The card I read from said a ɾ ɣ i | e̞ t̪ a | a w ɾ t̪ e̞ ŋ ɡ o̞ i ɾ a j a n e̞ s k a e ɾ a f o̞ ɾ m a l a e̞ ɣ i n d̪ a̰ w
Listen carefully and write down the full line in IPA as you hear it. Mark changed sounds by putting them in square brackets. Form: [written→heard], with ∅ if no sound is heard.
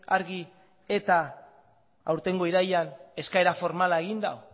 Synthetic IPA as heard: a ɾ ɣ i | e̞ t̪ a | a w ɾ t̪ e̞ ŋ ɡ o̞ i ɾ a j a n e̞ s k a e ɾ a f o̞ ɾ m a l a e̞ ɣ i n d̪ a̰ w